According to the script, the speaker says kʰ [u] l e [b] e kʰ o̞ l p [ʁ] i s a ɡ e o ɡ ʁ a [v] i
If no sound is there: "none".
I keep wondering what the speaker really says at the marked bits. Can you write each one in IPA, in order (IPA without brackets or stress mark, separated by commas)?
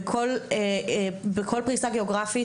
o, b, ʁ, f